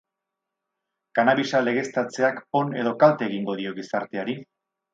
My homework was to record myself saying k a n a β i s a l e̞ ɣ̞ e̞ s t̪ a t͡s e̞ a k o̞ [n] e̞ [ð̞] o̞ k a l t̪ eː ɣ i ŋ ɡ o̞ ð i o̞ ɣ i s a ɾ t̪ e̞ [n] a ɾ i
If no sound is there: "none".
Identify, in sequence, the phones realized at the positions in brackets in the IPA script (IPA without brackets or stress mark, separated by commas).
n, ð̞, none